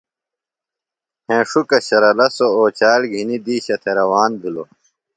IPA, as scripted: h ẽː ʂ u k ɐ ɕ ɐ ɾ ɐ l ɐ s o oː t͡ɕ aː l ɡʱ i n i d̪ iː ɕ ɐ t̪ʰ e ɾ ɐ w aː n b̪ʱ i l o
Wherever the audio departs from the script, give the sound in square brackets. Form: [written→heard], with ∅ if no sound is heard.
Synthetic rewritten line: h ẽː ʂ u k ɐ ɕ ɐ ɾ ɐ l ɐ s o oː t͡ɕ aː l ɡʱ i n i d̪ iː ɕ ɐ t̪ʰ e ɾ ɐ w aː n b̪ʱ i l o